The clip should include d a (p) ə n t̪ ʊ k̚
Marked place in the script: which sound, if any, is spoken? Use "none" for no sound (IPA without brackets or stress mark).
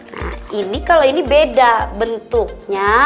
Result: b